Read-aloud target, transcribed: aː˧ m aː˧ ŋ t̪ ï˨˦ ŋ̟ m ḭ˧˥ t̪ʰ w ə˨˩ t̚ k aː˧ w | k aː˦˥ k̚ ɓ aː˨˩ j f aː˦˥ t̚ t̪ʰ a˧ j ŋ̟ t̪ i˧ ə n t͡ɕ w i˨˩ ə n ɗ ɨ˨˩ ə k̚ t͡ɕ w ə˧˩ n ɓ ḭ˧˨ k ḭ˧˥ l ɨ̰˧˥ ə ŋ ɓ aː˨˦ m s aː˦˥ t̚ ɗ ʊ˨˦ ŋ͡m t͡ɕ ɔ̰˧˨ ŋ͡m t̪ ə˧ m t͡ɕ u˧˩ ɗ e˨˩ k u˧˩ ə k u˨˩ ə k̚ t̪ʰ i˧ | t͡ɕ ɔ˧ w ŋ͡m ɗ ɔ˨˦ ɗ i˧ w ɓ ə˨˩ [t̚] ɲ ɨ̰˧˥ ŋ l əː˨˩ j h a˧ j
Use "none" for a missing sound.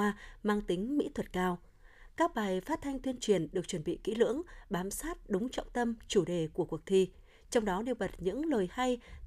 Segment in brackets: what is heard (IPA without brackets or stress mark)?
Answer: t̚